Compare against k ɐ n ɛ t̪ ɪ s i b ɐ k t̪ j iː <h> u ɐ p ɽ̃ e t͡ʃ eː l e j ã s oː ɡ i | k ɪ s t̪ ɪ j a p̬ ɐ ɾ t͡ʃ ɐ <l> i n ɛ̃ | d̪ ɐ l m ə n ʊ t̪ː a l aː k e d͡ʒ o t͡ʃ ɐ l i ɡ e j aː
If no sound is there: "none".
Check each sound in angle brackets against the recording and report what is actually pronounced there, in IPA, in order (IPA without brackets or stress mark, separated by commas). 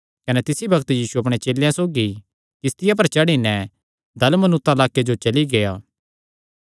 s, ɽ